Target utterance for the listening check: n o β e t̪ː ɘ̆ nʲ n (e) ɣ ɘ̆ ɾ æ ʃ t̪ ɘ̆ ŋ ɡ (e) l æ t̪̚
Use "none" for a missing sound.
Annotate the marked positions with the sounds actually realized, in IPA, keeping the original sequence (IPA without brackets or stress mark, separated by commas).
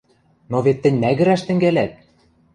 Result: æ, æ